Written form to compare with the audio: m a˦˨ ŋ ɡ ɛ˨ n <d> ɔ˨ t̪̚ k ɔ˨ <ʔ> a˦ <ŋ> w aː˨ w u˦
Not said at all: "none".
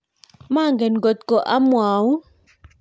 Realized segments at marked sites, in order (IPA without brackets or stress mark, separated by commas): ɡ, ʔ, m